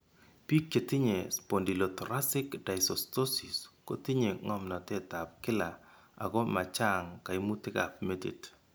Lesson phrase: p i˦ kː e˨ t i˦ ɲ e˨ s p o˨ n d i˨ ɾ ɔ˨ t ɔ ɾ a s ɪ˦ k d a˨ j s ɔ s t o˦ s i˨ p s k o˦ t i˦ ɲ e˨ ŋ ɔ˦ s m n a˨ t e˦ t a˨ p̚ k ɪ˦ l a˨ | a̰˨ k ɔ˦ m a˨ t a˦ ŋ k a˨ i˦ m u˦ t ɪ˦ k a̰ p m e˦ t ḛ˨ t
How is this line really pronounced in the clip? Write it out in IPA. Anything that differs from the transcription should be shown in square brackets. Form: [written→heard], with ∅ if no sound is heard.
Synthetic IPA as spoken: p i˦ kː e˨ t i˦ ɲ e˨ s p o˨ n d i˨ [ɾ→l] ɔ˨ t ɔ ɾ a s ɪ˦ k d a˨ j s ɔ s t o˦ s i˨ [p→∅] s k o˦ t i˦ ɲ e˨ ŋ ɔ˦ [s→∅] m n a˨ t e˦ t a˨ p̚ k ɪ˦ l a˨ | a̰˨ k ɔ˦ m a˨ [t→t͡ʃ] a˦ ŋ k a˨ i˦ m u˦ t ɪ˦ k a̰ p m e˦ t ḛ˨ t